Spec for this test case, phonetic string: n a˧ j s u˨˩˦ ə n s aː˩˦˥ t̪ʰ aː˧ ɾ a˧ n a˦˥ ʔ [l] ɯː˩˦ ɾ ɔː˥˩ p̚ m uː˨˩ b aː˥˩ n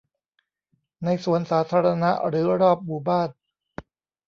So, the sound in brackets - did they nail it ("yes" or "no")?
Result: no